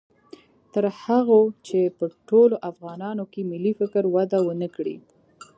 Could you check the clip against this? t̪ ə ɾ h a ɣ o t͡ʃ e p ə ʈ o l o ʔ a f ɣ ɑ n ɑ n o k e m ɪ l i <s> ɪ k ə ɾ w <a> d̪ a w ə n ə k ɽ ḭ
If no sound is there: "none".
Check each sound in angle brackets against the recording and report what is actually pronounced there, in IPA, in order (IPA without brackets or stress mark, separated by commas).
f, a